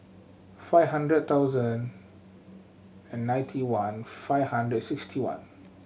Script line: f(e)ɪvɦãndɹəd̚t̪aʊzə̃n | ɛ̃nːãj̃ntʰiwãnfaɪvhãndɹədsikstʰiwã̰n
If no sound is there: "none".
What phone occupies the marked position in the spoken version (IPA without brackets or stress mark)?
a